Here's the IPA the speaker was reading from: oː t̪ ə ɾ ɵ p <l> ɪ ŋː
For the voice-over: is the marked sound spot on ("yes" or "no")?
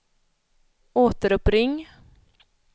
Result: no